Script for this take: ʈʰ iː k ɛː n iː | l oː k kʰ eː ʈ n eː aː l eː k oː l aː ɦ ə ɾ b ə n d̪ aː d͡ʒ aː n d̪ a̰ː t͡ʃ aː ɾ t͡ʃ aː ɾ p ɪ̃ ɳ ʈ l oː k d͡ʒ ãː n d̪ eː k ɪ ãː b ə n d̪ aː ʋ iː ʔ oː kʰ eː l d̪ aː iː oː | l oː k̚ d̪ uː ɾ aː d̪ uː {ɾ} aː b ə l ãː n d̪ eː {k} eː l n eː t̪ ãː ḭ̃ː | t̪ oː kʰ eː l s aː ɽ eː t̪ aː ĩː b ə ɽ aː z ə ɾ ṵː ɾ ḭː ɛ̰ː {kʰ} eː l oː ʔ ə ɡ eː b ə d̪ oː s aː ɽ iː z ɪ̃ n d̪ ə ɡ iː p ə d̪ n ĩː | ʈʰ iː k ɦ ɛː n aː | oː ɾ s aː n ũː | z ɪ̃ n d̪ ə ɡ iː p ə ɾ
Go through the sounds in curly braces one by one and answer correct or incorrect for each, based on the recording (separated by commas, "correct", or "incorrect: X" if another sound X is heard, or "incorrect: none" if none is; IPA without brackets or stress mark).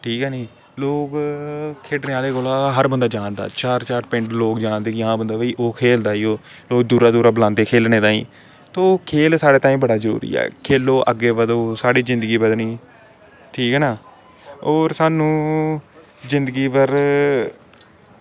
correct, incorrect: kʰ, correct